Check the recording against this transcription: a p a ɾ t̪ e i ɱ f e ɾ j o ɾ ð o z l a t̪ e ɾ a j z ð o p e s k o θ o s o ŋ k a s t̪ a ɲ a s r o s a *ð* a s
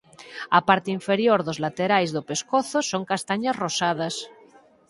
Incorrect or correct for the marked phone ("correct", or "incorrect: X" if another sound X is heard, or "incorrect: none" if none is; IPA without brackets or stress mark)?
correct